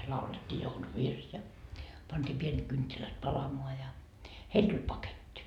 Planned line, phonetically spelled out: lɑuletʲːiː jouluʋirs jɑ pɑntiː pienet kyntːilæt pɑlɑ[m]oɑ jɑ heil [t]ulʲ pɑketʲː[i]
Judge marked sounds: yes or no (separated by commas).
yes, yes, yes